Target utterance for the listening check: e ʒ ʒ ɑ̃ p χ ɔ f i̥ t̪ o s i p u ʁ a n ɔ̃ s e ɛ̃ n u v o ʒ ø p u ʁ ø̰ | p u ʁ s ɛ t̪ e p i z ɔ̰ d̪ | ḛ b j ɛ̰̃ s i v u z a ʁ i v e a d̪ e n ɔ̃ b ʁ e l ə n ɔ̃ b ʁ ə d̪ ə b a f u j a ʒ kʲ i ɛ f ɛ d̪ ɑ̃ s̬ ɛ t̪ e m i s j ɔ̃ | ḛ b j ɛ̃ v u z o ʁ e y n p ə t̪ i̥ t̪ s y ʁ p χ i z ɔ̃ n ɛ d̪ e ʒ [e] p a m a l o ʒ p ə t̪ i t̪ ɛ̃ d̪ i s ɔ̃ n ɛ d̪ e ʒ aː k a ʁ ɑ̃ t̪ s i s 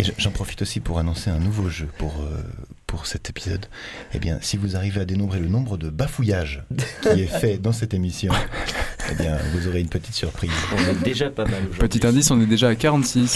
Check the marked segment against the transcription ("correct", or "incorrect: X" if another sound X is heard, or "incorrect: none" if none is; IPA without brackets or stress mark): incorrect: a